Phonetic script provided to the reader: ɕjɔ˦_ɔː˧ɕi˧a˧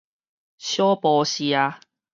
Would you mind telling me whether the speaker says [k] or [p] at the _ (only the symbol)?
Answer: p